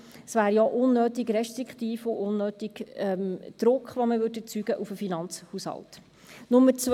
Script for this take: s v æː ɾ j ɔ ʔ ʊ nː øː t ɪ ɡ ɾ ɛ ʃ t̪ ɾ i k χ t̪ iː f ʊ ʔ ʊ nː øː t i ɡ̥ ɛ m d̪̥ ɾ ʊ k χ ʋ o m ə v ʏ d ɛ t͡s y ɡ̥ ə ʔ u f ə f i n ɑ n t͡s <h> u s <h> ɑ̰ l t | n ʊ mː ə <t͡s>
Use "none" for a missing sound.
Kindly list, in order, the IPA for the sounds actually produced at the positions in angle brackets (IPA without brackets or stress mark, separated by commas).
h, h, t͡s